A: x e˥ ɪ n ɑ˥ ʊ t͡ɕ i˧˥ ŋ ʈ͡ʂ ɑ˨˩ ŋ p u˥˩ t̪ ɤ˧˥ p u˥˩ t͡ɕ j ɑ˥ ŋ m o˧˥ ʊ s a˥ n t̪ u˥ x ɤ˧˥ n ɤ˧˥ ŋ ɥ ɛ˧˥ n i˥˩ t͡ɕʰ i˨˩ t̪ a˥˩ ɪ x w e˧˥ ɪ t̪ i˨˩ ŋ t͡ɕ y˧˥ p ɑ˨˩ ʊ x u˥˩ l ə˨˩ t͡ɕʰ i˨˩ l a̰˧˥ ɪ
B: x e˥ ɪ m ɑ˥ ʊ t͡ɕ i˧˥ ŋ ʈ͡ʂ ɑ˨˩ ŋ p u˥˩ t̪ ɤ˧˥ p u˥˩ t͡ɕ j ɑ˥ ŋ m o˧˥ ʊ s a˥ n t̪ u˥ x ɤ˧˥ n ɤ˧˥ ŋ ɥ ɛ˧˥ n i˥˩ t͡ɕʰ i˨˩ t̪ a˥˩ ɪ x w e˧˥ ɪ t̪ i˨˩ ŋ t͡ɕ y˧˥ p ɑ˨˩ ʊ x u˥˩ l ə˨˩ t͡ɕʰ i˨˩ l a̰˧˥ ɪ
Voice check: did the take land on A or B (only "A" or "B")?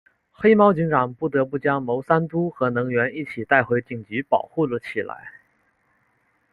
B